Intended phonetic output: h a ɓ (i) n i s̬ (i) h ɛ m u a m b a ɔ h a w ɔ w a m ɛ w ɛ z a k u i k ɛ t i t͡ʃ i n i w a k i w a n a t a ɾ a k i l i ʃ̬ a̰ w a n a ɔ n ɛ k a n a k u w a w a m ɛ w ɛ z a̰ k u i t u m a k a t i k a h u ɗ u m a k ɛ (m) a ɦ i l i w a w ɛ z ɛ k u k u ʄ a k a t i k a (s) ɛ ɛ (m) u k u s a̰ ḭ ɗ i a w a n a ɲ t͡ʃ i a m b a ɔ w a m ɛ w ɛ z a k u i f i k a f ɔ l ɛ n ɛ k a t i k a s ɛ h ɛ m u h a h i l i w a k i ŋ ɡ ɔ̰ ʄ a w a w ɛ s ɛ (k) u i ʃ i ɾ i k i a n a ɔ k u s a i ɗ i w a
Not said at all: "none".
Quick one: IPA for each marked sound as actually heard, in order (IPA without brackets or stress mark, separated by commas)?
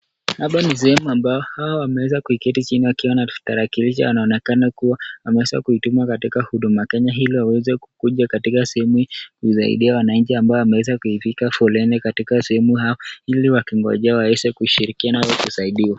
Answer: a, ɛ, ɲ, s, m, k